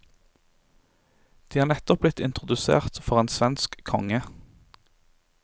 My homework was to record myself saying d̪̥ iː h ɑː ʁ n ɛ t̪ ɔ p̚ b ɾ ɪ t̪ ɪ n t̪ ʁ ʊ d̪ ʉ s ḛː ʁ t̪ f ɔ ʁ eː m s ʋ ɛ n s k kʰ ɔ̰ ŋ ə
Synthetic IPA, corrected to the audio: d̪̥ iː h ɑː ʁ n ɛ t̪ ɔ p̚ b l ɪ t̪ ɪ n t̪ ʁ ʊ d̪ ʉ s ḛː ʁ t̪ f ɔ ʁ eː n s ʋ ɛ n s k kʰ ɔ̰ ŋ ə